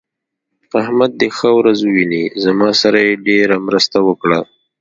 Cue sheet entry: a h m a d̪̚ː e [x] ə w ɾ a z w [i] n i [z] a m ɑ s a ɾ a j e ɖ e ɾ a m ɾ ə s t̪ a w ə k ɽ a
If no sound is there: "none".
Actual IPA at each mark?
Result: x, i, z

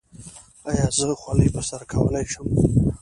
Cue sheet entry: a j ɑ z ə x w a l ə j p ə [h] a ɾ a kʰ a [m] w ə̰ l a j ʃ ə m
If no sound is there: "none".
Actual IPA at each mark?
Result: s, none

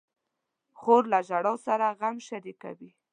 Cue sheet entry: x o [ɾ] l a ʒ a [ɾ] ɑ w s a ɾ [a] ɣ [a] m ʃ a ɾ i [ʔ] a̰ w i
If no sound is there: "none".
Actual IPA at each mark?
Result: ɾ, ɽ, a, a, k

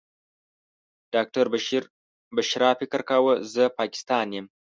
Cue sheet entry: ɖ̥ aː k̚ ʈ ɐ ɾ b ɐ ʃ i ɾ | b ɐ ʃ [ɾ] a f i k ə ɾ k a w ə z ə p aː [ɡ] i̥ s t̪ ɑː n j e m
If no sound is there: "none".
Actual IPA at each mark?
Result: ɾ, k

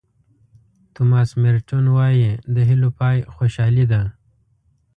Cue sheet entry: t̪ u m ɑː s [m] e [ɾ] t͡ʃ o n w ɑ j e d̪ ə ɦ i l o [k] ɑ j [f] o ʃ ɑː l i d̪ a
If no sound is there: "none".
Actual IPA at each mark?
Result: m, ɾ, p, x

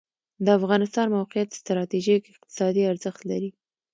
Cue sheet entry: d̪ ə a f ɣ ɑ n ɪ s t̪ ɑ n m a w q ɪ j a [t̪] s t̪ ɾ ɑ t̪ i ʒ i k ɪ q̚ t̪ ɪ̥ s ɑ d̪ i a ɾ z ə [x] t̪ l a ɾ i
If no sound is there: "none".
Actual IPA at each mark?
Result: t̪, x

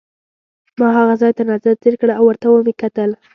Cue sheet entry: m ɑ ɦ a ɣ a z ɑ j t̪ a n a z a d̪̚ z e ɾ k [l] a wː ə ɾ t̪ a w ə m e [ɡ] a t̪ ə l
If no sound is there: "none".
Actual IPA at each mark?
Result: ɽ, k

